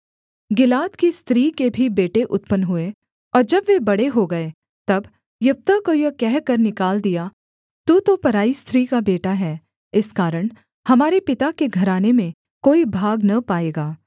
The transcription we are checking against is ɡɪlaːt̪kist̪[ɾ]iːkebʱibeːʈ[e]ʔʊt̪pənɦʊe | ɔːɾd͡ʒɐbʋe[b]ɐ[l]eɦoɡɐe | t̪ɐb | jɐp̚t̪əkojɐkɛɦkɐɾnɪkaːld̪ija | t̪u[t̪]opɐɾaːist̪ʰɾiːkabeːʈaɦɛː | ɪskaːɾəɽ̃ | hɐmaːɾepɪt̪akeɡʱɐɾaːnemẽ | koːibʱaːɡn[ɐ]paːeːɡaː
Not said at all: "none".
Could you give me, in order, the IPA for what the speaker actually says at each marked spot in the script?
ɾ, e, b, ɽ, t̪, ɐ

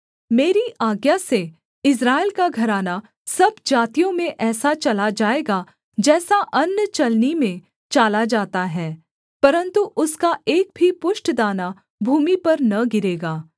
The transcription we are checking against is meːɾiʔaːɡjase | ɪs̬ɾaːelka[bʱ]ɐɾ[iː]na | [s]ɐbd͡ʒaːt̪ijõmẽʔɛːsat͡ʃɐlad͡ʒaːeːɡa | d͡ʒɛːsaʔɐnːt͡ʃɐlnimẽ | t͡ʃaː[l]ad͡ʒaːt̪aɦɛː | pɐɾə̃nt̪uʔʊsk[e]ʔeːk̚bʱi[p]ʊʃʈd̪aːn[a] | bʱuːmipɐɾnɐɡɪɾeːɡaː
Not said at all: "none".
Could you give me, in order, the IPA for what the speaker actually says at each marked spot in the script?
ɡʱ, aː, s, l, a, p, a

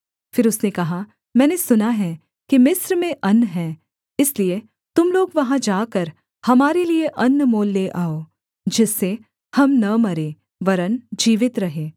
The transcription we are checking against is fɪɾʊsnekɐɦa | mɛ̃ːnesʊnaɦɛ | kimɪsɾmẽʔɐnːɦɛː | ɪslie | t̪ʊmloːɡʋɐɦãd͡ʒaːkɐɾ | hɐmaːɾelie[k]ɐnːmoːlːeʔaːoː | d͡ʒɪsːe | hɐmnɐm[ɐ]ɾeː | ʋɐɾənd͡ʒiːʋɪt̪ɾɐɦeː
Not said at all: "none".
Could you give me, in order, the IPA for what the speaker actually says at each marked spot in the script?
ʔ, ɐ

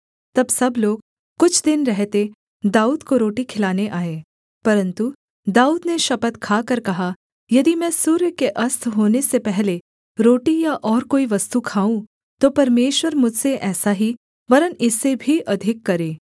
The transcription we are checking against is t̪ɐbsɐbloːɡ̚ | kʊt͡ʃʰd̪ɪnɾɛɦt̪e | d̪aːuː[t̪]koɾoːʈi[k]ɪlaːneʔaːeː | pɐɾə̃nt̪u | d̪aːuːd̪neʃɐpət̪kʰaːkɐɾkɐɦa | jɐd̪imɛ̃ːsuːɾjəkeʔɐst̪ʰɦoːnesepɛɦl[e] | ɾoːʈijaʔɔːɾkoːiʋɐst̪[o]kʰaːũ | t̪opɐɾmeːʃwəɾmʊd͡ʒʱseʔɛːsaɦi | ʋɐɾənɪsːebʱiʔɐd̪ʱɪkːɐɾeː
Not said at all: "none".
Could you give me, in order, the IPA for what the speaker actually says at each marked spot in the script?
d̪, kʰ, e, u

